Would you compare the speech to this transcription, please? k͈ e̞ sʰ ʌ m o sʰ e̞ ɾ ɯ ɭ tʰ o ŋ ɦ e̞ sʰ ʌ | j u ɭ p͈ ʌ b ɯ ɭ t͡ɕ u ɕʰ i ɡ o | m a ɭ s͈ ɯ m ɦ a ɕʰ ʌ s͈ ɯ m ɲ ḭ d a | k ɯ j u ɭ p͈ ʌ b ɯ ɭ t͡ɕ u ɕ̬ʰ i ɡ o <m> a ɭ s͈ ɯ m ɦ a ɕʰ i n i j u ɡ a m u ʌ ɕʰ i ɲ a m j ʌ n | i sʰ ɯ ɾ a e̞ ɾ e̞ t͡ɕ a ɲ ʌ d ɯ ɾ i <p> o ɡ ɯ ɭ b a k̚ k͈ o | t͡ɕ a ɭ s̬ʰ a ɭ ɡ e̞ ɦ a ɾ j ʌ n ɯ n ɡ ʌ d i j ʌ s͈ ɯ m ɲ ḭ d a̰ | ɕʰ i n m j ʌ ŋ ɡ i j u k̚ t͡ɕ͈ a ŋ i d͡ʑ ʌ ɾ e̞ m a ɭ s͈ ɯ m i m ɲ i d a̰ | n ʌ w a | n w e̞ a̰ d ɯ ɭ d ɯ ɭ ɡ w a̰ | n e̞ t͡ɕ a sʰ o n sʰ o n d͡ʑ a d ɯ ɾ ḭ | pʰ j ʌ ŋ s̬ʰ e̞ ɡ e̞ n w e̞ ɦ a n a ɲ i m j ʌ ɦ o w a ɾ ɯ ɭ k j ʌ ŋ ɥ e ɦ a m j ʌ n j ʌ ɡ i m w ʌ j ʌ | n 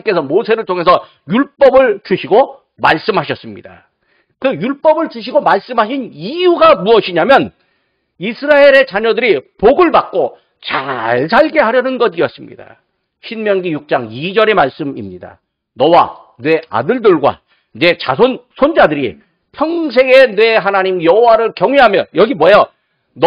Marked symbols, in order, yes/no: yes, yes

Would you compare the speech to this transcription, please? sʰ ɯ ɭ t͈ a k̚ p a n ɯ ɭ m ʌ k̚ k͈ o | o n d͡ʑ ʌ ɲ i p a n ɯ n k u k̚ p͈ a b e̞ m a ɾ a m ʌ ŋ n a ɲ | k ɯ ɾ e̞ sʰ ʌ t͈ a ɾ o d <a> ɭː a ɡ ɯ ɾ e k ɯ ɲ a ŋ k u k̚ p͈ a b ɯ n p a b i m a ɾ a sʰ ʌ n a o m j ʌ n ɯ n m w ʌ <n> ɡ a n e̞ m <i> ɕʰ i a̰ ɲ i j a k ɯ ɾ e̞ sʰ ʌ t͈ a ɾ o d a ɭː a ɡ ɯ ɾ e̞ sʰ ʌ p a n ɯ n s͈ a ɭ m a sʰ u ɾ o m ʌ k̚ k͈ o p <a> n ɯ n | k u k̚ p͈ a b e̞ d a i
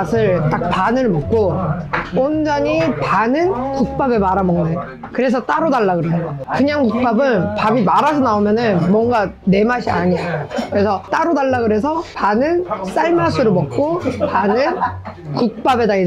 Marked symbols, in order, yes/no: yes, no, no, yes

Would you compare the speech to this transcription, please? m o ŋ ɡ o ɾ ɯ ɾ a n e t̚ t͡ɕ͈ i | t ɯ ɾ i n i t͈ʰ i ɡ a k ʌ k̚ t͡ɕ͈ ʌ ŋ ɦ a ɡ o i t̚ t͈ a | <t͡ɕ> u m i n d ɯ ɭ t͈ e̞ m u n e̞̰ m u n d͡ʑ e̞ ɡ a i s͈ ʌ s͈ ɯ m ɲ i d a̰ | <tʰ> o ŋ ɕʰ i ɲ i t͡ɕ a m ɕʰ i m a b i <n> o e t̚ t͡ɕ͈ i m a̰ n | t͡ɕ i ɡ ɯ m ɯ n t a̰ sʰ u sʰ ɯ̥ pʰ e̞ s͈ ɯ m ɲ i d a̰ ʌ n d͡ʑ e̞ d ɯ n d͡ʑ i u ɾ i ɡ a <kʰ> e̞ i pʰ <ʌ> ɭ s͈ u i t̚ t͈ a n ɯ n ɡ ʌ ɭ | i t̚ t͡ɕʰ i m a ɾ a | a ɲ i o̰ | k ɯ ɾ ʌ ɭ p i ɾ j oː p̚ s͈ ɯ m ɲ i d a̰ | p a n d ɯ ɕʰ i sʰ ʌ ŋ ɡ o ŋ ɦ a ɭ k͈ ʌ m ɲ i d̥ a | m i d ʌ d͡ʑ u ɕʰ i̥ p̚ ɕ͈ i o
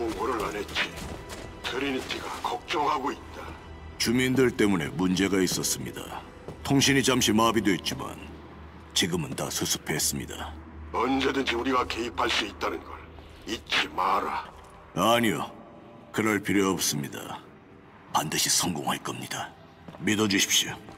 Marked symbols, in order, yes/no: yes, yes, no, no, no

